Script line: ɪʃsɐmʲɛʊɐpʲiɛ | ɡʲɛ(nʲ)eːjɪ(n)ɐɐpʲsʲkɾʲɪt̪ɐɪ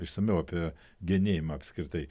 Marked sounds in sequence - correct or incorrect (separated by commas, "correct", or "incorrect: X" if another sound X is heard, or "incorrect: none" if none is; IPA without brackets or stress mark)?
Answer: correct, incorrect: m